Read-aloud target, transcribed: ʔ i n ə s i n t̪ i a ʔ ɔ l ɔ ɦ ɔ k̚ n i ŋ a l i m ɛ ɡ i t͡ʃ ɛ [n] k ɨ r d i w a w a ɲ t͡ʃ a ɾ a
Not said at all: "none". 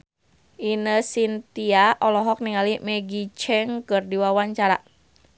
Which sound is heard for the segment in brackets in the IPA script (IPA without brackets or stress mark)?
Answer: ŋ